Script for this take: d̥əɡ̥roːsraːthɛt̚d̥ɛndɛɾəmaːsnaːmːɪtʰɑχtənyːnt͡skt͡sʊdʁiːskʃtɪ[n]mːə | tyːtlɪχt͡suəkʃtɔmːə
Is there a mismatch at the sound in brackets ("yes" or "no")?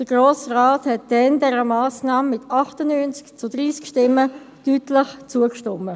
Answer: yes